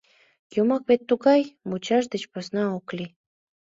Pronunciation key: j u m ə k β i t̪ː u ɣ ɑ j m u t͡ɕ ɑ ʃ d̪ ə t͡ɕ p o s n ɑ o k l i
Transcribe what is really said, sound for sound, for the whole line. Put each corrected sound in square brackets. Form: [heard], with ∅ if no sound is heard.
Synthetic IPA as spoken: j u m [ɑ] k β [e] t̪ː u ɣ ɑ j m u t͡ɕ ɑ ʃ d̪ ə t͡ɕ p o s n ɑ o k l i